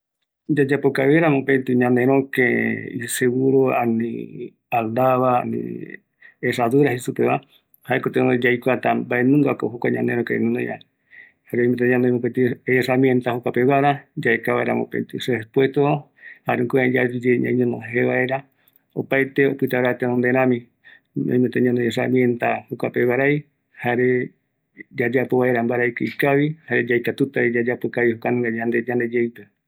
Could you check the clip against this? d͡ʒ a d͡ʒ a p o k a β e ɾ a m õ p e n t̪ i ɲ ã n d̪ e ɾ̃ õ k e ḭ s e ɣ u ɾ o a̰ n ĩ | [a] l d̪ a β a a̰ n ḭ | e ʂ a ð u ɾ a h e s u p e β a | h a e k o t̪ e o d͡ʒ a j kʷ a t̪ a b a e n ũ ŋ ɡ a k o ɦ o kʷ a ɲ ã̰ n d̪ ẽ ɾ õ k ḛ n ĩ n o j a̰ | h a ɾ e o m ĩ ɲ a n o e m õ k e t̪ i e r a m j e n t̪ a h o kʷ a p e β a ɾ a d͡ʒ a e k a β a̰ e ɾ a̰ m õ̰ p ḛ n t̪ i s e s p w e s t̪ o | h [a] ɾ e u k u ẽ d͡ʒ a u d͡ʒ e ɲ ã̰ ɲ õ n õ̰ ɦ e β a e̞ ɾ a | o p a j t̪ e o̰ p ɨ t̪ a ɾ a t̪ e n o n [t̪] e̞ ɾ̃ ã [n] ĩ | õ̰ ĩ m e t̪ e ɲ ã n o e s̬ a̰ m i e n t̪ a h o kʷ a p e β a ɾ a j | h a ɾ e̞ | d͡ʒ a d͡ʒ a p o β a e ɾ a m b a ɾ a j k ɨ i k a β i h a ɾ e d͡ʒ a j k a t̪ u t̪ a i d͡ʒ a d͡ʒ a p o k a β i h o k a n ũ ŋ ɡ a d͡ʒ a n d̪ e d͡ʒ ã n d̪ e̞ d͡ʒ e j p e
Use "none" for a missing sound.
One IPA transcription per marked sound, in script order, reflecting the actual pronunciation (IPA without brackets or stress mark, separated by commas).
a, a, d̪, m